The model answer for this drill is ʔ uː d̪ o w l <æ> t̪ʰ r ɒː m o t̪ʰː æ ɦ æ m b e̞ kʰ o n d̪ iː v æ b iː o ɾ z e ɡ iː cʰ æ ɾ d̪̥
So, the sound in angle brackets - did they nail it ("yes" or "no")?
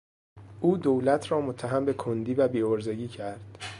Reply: yes